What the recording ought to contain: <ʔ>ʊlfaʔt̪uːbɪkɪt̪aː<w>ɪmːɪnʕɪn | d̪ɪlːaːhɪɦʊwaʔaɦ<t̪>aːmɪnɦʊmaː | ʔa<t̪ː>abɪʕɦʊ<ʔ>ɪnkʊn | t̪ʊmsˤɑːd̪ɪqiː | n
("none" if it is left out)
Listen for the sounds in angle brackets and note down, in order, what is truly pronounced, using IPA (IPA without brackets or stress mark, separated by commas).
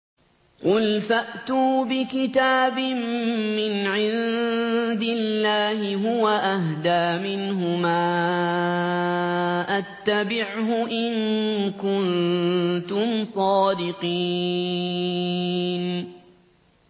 q, b, d̪, t̪ː, ʔ